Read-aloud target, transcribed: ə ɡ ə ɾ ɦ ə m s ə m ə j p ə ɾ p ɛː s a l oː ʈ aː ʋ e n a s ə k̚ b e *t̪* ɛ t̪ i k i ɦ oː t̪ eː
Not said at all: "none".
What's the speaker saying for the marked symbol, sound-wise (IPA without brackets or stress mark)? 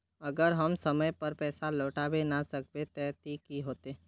t̪